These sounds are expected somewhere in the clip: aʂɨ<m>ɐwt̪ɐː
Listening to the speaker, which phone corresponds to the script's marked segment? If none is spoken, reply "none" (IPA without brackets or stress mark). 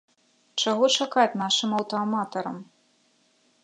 m